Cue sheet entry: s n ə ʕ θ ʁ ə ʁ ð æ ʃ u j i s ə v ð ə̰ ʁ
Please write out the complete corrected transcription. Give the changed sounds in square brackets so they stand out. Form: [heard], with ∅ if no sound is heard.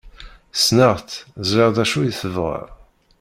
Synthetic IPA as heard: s n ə [ʁ] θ [z] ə ʁ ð æ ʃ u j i [θ] ə v [ʁ] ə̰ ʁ